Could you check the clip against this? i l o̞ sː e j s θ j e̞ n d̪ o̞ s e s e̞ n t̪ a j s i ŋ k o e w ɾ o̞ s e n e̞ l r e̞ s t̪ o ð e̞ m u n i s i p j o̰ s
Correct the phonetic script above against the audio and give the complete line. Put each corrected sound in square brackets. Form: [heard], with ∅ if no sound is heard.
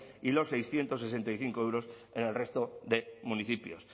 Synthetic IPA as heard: i l o̞ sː e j s θ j e̞ n [t̪] o̞ s e s e̞ n t̪ a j [θ] i ŋ k o e w ɾ o̞ s e n e̞ l r e̞ s t̪ o ð e̞ m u n i [θ] i p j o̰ s